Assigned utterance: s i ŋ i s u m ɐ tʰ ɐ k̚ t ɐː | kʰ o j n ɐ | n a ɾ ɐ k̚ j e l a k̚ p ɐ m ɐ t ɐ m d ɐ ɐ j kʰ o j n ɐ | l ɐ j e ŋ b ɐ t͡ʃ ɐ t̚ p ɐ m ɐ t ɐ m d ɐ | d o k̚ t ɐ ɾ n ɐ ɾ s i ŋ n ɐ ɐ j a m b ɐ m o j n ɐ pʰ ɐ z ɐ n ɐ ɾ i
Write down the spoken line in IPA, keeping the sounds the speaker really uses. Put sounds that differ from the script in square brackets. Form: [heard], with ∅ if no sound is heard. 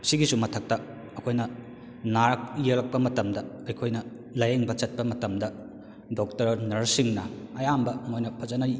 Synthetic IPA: s i [ɡ] i s u m ɐ tʰ ɐ k̚ t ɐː | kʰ o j n ɐ | n a ɾ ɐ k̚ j e l [ɐ] k̚ p ɐ m ɐ t ɐ m d ɐ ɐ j kʰ o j n ɐ | l ɐ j e ŋ b ɐ t͡ʃ ɐ t̚ p ɐ m ɐ t ɐ m d ɐ | d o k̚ t ɐ ɾ n ɐ ɾ s i ŋ n ɐ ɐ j a m b ɐ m o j n ɐ pʰ ɐ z ɐ n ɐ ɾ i

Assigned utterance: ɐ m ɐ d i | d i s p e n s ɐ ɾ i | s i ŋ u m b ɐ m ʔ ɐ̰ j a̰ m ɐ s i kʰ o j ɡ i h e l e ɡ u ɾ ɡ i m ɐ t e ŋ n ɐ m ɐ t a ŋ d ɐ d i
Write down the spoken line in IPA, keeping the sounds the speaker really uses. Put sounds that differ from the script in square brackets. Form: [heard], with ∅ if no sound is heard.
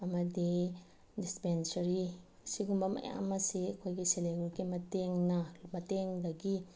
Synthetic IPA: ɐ m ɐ d i | d i s p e n s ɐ ɾ i | s i [ɡ] u m b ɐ m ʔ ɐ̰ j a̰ m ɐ s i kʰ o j ɡ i [s] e l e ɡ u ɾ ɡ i m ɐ t e ŋ n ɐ m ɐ t [e] ŋ d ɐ [ɡ] i

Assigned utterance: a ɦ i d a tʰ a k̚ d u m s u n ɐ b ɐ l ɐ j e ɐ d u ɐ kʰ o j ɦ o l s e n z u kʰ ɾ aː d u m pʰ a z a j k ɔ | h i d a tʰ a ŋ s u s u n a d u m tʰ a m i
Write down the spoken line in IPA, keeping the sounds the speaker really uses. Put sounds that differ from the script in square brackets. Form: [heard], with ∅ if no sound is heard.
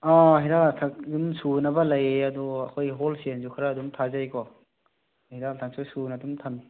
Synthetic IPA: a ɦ i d a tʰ a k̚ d u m s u n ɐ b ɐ l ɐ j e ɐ d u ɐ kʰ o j ɦ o l s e n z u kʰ ɾ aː d u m [tʰ] a z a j k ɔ | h i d a tʰ a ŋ s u s u n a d u m tʰ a m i

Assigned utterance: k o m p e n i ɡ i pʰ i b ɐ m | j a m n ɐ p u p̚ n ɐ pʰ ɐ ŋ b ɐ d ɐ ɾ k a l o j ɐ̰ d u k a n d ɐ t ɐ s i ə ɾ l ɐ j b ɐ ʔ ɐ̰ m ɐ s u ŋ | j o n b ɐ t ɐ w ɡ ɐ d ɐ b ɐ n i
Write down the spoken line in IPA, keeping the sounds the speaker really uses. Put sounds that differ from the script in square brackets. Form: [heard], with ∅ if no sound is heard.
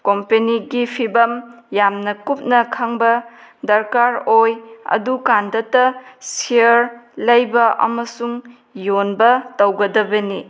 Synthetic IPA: k o m p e n i ɡ i pʰ i b ɐ m | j a m n ɐ [k] u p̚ n ɐ [kʰ] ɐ ŋ b ɐ d ɐ ɾ k a [ɾ] o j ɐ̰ d u k a n d ɐ t ɐ s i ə ɾ l ɐ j b ɐ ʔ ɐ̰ m ɐ s u ŋ | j o n b ɐ t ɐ w ɡ ɐ d ɐ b ɐ n i

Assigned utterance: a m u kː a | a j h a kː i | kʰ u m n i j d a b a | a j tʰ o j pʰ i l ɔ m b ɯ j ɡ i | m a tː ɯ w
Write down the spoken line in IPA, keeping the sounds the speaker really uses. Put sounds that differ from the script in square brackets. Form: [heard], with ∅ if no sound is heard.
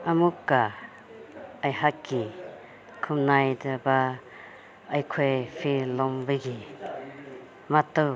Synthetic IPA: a m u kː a | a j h a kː i | kʰ u m n [a] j d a b a | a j [kʰ] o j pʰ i l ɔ m b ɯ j ɡ i | m a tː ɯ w

